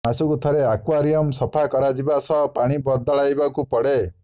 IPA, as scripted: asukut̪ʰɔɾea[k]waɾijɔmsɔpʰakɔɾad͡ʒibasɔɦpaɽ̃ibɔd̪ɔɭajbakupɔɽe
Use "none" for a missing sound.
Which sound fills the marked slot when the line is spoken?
k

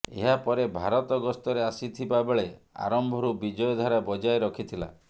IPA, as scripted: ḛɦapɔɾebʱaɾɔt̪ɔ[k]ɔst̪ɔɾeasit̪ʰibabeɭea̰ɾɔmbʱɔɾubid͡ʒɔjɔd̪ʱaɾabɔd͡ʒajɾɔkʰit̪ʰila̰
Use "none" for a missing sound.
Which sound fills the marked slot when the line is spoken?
ɡ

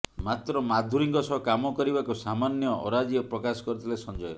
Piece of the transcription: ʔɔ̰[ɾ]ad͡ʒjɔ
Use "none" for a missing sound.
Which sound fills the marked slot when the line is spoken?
ɾ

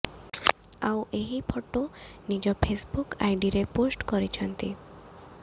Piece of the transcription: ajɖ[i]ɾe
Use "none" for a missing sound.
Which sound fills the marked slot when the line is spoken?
i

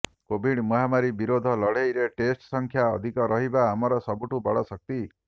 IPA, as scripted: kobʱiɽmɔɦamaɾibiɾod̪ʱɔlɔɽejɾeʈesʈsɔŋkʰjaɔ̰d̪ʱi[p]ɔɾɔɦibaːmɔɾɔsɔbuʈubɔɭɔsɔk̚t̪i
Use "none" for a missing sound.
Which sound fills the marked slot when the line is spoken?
k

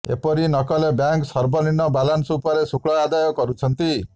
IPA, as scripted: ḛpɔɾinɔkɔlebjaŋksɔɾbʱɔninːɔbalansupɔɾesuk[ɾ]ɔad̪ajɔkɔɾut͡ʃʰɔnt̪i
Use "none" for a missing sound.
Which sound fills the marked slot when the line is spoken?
ɭ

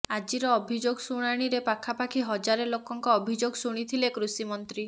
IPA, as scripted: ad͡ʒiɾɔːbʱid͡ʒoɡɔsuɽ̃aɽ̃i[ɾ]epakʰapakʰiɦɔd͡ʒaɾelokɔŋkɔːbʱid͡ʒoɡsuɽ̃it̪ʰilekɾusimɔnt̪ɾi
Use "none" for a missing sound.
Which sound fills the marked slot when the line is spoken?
ɾ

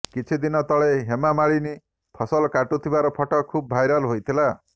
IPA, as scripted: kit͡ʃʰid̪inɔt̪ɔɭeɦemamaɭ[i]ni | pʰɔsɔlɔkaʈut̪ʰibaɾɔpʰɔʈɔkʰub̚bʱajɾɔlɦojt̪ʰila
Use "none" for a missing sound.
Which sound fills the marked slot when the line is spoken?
i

